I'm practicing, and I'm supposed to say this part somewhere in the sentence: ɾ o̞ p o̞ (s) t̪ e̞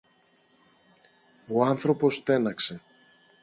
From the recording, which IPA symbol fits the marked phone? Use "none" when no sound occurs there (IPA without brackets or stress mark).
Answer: s